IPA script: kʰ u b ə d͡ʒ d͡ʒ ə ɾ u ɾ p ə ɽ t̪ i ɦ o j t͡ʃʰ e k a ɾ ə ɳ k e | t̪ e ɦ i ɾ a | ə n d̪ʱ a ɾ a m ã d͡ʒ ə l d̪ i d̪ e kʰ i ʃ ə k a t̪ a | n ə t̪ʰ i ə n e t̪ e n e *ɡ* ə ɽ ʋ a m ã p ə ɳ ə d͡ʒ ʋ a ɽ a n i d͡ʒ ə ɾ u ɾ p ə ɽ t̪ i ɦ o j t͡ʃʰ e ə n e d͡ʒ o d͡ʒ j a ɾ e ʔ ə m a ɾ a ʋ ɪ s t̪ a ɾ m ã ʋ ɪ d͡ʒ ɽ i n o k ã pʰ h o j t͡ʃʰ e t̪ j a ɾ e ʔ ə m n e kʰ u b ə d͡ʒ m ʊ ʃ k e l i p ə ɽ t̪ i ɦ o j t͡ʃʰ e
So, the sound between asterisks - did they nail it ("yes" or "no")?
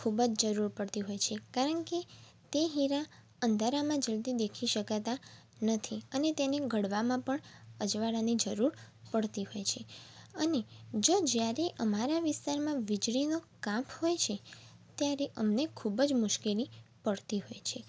yes